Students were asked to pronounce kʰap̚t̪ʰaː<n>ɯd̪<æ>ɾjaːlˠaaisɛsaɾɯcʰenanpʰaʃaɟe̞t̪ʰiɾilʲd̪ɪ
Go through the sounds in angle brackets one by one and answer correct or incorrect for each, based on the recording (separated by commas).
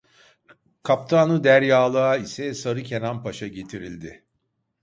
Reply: correct, correct